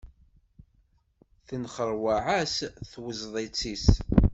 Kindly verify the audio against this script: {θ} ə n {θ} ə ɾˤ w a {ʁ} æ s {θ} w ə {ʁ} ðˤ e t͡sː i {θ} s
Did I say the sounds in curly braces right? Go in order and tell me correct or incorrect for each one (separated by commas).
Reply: correct, incorrect, incorrect, correct, incorrect, incorrect